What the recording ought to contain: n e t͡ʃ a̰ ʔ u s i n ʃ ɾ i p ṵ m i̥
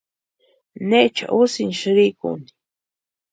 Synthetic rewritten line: n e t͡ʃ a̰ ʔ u s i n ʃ ɾ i k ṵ n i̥